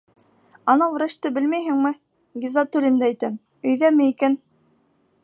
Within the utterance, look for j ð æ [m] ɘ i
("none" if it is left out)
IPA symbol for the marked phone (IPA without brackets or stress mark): m